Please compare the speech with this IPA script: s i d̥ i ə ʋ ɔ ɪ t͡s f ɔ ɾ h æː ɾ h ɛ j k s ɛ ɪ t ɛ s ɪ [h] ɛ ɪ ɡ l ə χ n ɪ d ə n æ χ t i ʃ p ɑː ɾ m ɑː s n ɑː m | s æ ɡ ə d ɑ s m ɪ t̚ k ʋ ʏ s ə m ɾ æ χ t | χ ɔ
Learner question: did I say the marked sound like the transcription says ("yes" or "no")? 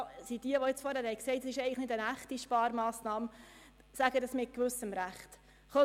no